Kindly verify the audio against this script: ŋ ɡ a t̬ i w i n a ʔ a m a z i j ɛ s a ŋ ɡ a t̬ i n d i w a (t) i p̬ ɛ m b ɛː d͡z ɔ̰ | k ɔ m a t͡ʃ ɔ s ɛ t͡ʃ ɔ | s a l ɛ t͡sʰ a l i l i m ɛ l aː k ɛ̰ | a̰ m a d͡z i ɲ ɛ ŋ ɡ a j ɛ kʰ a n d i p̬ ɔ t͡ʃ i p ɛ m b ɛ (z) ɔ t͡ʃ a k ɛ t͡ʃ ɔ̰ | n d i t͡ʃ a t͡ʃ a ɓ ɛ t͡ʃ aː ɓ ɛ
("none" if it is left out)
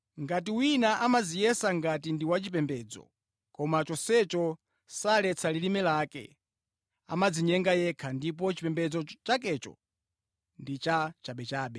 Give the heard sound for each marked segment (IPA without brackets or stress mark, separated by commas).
t͡ʃ, d͡z